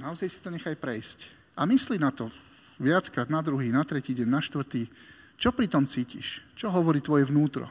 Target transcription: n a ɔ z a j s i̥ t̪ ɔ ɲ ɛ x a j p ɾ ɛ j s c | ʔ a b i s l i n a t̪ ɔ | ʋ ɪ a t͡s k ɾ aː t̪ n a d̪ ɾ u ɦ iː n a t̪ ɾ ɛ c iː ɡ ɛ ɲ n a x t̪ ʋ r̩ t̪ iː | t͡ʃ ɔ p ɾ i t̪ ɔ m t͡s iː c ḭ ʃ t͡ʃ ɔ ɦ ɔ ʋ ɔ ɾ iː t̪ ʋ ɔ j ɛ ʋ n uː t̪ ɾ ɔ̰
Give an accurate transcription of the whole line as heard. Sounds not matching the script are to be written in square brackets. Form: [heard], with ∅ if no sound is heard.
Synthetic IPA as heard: n a ɔ z a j s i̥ t̪ ɔ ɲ ɛ x a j p ɾ ɛ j s c | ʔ a [m] i s l i n a t̪ ɔ | ʋ ɪ a t͡s k ɾ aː [d̪] n a d̪ ɾ u ɦ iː n a t̪ ɾ ɛ c iː [ɟ] ɛ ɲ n a [ʃ] t̪ ʋ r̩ t̪ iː | t͡ʃ ɔ p ɾ i t̪ ɔ m t͡s iː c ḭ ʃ t͡ʃ ɔ ɦ ɔ ʋ ɔ ɾ iː t̪ ʋ ɔ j ɛ ʋ n uː t̪ ɾ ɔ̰